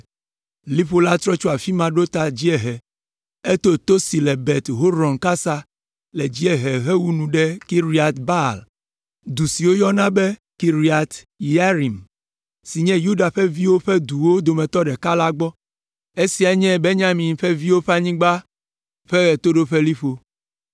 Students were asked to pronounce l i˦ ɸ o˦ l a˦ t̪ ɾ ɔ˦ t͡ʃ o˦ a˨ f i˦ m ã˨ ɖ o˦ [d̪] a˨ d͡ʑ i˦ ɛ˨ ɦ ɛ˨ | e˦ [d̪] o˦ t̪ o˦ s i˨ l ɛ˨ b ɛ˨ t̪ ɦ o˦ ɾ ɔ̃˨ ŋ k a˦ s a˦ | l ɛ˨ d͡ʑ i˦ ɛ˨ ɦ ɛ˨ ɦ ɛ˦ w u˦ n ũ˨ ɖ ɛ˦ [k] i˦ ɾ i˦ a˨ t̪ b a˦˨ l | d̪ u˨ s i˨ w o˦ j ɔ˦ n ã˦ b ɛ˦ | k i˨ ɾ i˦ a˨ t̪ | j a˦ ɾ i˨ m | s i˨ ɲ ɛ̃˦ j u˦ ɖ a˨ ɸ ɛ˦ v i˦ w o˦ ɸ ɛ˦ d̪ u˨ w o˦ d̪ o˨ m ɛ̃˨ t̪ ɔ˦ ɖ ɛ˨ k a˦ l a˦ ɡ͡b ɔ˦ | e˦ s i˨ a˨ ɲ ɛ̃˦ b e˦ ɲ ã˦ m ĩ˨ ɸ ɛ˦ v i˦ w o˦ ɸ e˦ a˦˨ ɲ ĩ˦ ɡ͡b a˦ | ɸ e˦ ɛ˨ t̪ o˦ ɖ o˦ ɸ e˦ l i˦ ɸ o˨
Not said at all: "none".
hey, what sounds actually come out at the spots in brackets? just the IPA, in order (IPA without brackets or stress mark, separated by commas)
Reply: t̪, t̪, k